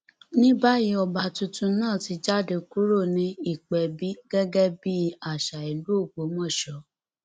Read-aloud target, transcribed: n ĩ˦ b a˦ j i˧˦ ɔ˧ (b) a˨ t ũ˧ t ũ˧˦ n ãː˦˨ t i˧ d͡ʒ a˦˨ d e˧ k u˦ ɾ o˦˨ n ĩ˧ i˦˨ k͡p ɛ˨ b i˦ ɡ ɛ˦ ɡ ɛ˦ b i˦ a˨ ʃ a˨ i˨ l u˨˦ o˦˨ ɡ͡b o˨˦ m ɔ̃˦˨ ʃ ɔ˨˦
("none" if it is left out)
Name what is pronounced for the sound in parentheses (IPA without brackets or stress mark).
b